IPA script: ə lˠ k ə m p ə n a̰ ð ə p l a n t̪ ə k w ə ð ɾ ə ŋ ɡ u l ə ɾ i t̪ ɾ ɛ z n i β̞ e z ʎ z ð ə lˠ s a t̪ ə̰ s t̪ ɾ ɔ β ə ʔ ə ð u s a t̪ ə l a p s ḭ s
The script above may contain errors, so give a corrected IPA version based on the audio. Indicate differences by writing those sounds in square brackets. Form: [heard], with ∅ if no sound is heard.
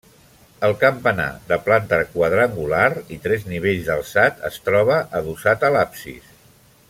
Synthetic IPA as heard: ə lˠ k ə m p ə n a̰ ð ə p l a n t̪ ə k w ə ð ɾ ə ŋ ɡ u l [a] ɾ i t̪ ɾ ɛ z n i β̞ e [∅] ʎ z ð ə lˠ s a t̪ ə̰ s t̪ ɾ ɔ β ə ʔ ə ð u s a t̪ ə l a p s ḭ s